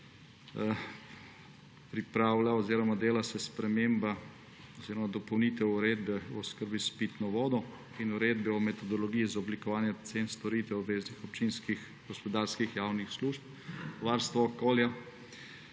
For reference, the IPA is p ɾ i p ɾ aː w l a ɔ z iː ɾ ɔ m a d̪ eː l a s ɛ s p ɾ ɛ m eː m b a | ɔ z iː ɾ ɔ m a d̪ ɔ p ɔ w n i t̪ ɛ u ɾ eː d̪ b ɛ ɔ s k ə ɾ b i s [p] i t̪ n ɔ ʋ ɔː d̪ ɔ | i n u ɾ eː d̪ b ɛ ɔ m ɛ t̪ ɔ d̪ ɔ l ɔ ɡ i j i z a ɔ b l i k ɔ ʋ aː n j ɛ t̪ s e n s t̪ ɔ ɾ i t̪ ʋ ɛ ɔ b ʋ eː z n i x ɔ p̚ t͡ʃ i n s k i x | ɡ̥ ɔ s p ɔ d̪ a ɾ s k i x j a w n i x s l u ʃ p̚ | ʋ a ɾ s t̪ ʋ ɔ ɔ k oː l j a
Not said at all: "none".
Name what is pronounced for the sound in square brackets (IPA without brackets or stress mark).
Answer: p